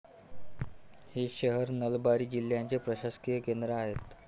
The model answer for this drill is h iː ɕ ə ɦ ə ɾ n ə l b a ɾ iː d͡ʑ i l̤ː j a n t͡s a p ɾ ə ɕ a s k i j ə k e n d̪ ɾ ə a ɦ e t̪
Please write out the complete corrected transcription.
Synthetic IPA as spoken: h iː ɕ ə ɦ ə ɾ n ə l b a ɾ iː d͡ʑ i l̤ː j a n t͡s e p ɾ ə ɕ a s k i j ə k e n d̪ ɾ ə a ɦ e t̪